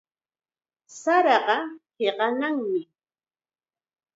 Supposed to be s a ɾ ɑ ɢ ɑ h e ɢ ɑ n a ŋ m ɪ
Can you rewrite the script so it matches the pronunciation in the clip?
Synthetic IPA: s a ɾ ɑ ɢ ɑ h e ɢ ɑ n a ŋ m ɪ